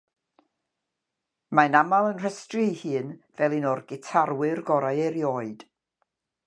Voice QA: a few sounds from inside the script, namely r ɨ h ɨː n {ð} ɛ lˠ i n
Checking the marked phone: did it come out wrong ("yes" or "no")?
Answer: yes